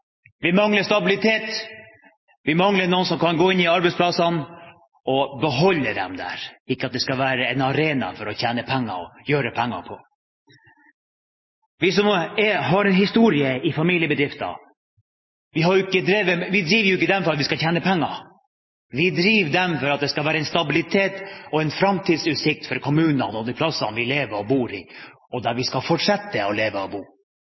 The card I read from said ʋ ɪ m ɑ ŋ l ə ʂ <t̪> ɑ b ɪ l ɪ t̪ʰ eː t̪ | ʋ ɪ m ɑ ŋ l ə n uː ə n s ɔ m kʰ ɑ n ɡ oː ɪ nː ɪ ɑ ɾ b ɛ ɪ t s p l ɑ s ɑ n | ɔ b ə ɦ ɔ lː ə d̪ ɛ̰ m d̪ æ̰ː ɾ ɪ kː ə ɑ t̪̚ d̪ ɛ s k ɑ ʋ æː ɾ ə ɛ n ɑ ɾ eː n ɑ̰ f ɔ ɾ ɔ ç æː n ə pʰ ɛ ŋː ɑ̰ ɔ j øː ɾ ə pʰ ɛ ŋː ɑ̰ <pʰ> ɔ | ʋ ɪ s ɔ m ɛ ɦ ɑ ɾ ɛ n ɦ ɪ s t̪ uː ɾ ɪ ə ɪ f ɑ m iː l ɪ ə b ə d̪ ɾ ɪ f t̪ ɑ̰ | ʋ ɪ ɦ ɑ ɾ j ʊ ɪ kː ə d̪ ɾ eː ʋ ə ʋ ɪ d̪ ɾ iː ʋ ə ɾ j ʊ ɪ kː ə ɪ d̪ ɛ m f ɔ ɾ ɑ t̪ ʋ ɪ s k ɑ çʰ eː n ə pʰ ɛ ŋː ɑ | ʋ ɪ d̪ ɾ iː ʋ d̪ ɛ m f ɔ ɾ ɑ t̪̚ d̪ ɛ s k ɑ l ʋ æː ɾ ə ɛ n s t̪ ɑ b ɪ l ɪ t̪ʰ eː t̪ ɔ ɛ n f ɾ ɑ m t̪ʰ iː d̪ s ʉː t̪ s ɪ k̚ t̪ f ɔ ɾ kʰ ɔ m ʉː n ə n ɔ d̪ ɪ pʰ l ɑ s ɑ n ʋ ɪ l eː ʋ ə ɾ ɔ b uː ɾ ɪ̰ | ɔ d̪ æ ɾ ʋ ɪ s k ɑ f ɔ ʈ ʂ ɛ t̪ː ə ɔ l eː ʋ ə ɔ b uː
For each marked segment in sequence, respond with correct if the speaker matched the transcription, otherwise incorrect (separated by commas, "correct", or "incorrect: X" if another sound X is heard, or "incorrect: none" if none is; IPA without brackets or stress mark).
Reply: correct, correct